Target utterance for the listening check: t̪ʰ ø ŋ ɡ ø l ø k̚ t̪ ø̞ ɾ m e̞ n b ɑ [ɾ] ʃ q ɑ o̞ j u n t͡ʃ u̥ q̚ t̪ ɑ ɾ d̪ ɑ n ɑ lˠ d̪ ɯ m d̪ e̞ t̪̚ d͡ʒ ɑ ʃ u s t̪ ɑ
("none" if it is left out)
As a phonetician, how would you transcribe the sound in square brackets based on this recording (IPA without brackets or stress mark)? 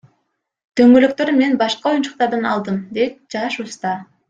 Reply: none